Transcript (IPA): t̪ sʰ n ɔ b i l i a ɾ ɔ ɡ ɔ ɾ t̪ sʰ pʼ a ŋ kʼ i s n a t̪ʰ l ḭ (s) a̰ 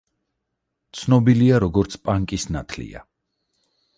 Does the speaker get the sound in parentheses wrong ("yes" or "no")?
yes